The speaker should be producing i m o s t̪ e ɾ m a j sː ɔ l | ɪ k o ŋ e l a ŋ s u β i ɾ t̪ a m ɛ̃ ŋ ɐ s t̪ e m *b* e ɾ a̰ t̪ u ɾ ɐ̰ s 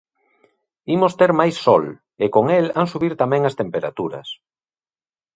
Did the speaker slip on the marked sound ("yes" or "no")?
yes